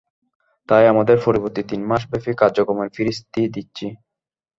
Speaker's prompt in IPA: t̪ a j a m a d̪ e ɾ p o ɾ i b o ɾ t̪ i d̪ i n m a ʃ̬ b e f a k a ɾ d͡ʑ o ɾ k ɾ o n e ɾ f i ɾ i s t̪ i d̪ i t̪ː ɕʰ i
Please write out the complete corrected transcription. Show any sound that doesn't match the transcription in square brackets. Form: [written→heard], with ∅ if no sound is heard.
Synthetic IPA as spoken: t̪ a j a m a d̪ e ɾ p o ɾ i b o ɾ t̪ i [d̪→t̪] i n m a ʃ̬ b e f [a→i] k a ɾ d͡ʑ o [ɾ→∅] k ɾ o [n→m] e ɾ f i ɾ i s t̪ i d̪ i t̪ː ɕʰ i